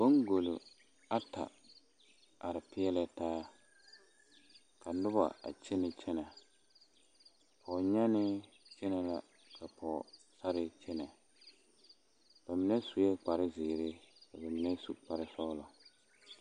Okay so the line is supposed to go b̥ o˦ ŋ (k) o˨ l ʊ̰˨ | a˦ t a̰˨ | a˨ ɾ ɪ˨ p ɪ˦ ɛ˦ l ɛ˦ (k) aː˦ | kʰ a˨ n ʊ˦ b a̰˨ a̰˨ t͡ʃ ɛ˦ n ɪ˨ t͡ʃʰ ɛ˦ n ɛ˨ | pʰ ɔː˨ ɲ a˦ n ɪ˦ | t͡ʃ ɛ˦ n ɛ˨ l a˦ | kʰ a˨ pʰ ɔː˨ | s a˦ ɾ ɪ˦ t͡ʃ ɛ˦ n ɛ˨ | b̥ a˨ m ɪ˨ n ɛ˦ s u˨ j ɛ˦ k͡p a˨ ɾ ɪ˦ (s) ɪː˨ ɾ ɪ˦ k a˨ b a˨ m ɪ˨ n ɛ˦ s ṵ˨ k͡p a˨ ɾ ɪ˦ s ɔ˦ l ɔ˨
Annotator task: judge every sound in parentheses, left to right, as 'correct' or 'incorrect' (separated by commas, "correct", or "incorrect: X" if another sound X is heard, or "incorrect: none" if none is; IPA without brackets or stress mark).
incorrect: ɡ, incorrect: t, incorrect: z